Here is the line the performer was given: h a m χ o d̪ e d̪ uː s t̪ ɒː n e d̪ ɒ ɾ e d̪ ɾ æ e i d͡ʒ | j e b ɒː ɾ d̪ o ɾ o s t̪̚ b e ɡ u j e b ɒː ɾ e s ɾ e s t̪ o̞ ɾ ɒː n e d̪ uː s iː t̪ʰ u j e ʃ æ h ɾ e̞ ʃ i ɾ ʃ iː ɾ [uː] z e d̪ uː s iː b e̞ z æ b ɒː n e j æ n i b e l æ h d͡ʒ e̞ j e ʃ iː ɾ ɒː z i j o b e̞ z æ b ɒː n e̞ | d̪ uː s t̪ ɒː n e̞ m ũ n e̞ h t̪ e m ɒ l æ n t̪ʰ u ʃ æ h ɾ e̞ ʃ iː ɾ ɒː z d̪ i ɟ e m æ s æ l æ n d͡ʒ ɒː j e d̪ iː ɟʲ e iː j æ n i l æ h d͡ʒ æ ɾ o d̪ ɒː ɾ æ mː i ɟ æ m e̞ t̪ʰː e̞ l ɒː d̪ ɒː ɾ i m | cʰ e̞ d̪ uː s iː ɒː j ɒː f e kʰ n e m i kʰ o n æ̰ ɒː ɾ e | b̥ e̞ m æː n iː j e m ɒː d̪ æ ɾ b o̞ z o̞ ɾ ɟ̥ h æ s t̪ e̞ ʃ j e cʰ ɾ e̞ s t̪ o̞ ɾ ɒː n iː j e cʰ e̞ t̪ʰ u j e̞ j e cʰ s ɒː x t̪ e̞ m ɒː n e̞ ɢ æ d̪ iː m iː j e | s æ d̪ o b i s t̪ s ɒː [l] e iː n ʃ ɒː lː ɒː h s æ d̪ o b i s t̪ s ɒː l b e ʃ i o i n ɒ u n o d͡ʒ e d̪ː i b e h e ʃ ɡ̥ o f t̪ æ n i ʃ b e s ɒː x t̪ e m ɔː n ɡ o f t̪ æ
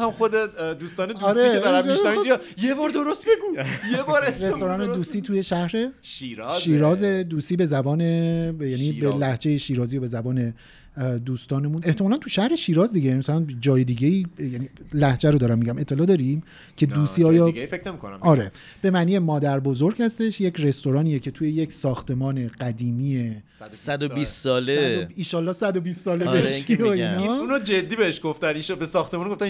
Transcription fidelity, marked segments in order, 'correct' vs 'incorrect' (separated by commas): incorrect, correct